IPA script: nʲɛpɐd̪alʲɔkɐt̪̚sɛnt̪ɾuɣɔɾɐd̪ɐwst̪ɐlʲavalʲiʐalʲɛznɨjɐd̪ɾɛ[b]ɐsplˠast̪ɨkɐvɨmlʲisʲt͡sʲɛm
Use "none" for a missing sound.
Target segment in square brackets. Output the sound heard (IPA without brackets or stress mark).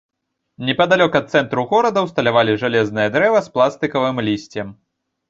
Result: v